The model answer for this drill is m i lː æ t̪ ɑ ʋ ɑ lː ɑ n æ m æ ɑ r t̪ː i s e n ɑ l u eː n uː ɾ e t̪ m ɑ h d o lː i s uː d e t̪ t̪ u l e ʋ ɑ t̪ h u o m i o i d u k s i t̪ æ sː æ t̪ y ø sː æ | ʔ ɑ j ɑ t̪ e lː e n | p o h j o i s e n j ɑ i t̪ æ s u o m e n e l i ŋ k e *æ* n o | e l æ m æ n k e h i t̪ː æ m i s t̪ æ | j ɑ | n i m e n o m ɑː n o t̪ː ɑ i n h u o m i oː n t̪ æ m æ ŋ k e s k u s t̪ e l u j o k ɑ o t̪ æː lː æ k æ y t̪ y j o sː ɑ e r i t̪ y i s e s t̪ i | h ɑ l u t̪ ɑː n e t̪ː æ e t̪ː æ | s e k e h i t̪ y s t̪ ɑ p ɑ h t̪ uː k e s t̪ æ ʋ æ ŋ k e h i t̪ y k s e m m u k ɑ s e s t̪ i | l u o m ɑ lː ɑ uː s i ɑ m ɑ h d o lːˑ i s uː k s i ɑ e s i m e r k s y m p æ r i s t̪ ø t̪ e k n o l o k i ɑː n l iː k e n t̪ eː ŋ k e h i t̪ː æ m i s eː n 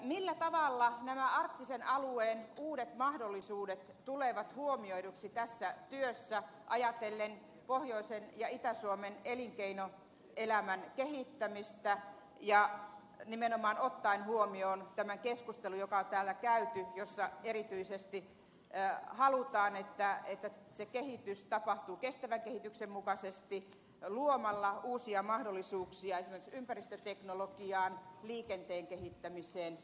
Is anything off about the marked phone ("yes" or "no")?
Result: yes